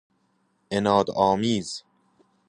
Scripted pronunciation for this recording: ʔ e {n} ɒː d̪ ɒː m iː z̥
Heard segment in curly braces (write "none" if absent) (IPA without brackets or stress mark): n